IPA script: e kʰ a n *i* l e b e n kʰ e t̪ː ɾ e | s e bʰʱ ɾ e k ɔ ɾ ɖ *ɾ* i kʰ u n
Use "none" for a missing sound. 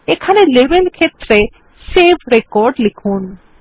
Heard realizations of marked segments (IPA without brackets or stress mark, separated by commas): e, l